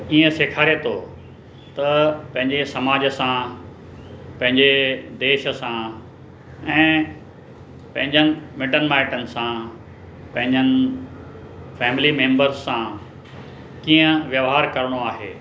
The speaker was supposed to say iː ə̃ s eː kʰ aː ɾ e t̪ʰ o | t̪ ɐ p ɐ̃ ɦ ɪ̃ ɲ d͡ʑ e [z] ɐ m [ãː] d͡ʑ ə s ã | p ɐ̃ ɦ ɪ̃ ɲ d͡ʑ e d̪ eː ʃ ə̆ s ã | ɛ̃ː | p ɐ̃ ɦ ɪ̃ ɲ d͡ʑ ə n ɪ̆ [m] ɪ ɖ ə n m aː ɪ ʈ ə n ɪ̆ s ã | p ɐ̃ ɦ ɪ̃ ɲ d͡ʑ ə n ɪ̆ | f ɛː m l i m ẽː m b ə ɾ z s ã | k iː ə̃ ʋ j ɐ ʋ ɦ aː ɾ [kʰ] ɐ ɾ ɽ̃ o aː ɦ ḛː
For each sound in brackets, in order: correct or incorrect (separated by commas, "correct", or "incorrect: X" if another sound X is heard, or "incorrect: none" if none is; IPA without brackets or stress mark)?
incorrect: s, incorrect: aː, correct, incorrect: k